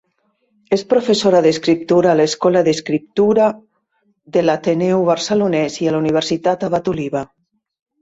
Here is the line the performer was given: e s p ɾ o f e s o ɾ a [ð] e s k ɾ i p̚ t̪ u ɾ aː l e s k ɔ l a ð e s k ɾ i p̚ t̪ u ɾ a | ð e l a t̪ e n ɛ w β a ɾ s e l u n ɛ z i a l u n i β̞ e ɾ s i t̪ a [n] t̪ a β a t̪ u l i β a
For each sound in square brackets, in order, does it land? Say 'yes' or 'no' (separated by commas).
yes, no